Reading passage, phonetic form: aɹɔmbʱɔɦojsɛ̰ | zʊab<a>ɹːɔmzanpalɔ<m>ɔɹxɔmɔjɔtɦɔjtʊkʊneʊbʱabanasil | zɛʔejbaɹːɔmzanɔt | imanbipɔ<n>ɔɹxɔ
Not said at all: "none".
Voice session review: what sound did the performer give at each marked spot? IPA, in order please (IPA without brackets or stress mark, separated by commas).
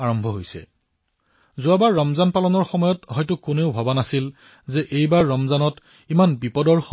a, n, d